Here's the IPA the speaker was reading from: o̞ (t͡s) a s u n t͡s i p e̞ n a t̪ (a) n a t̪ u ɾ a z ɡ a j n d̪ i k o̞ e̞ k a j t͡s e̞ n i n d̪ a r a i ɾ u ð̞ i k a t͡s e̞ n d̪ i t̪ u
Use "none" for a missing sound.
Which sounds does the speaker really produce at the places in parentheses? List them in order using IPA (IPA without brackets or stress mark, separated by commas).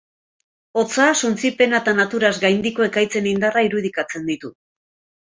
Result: t͡s, a